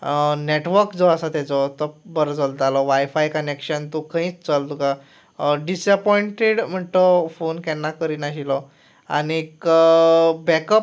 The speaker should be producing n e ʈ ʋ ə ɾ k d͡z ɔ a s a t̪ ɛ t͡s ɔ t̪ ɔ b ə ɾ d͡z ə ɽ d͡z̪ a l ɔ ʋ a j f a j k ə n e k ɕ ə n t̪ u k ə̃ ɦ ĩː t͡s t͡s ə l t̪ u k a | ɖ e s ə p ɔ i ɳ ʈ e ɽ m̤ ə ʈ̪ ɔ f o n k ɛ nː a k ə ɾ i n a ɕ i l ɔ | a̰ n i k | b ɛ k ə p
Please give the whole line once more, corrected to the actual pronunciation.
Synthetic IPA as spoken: n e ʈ ʋ ə ɾ k d͡z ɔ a s a t̪ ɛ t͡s ɔ t̪ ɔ b ə ɾ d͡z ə l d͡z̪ a l ɔ ʋ a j f a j k ə n e k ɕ ə n t̪ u k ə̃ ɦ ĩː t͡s t͡s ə l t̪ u k a | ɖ i s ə p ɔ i ɳ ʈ e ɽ m̤ ə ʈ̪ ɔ f o n k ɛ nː a k ə ɾ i n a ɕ i l ɔ | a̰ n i k | b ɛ k ə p